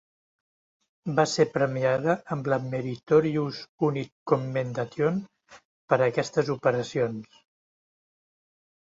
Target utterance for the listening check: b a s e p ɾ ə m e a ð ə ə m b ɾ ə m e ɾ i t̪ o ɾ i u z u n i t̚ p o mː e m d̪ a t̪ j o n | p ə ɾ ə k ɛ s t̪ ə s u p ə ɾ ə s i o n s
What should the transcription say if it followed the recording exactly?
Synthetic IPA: b a s e p ɾ ə m i a ð ə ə m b l ə m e ɾ i t̪ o ɾ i u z u n i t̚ k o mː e n d̪ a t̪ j o n | p ə ɾ ə k ɛ s t̪ ə z u p ə ɾ ə s i o n s